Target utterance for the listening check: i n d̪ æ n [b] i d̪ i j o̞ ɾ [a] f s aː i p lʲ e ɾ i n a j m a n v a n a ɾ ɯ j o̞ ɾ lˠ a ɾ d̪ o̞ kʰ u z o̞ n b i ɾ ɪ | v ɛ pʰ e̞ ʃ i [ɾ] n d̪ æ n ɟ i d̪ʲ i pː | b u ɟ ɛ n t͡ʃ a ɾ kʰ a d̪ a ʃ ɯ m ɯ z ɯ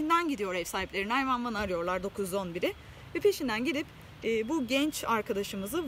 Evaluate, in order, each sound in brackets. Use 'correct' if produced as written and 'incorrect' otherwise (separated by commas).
incorrect, incorrect, incorrect